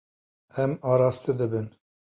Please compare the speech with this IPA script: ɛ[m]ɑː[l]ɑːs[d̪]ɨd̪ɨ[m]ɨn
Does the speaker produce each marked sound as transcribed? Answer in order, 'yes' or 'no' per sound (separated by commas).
yes, no, no, no